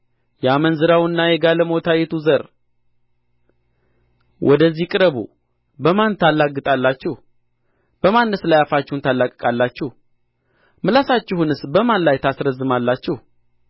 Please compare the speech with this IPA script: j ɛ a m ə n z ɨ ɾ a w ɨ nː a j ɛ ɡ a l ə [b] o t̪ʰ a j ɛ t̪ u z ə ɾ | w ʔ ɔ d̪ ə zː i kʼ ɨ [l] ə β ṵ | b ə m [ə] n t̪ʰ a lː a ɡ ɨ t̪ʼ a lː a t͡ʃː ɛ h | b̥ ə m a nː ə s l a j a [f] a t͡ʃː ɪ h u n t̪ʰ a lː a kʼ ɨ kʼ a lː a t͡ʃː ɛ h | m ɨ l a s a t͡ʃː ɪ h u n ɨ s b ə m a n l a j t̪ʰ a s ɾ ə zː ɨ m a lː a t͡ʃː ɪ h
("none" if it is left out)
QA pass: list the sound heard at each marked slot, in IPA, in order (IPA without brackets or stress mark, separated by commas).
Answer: m, ɾ, a, f